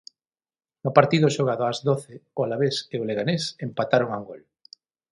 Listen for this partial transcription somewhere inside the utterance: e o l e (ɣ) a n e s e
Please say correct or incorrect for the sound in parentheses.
correct